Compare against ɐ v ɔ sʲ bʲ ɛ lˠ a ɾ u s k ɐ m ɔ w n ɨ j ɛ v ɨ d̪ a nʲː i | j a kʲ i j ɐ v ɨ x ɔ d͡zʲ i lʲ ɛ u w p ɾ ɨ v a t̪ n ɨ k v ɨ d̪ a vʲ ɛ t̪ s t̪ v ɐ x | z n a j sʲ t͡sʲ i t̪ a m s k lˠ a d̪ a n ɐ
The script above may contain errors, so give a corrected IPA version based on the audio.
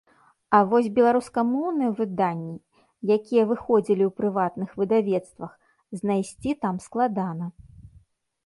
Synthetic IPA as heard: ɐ v ɔ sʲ bʲ ɛ lˠ a ɾ u s k ɐ m ɔ w n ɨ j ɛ v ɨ d̪ a nʲː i | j a kʲ i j ɐ v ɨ x ɔ d͡zʲ i lʲ i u w p ɾ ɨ v a t̪ n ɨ x v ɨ d̪ a vʲ ɛ t̪ s t̪ v ɐ x | z n a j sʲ t͡sʲ i t̪ a m s k lˠ a d̪ a n ɐ